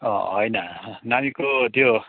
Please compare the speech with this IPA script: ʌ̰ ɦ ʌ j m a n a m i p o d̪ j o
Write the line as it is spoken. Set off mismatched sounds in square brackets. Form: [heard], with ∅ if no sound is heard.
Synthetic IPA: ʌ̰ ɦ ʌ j [n] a n a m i [k] o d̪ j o